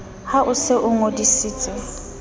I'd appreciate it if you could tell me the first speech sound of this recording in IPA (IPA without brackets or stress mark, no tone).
h